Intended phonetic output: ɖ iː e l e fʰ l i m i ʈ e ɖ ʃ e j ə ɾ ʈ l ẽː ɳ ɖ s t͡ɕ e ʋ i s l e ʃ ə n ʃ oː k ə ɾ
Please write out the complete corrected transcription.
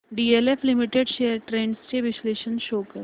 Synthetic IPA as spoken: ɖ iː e l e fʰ l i m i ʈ e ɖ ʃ e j ə ɾ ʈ ɾ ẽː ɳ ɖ s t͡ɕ e ʋ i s l e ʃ ə n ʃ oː k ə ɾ